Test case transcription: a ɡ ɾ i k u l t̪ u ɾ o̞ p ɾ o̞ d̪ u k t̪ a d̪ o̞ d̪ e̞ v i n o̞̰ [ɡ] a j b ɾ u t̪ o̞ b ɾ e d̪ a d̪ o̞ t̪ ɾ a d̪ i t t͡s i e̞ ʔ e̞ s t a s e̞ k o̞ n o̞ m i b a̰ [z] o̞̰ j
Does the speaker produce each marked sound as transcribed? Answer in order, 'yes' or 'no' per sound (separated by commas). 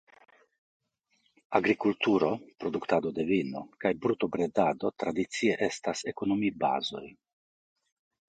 no, yes